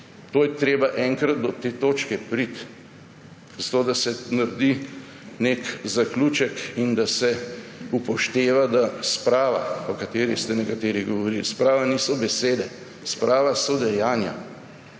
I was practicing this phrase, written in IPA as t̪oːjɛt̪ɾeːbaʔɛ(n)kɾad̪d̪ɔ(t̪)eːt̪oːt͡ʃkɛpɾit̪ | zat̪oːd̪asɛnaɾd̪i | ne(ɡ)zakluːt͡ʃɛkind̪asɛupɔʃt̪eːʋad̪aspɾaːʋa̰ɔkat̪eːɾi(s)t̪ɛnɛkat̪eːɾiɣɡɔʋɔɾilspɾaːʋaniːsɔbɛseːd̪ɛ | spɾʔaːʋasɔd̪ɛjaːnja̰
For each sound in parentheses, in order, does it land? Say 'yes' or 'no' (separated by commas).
no, yes, no, yes